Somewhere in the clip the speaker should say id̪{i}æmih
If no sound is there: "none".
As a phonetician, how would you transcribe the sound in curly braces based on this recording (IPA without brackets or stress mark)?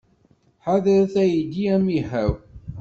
i